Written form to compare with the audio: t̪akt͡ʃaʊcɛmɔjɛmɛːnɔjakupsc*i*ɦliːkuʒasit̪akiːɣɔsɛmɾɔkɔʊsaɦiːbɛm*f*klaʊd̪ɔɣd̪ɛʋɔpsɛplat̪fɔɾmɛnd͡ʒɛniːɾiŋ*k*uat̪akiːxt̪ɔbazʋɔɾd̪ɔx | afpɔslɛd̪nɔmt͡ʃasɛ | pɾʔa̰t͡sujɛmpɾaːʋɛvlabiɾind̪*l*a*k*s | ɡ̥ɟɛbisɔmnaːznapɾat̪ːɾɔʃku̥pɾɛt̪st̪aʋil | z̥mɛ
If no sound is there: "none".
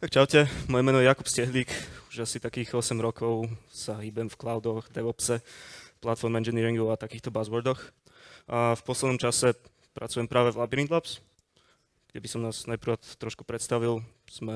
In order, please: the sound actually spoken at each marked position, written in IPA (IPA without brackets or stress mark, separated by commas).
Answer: ɛ, f, ɡ, l, p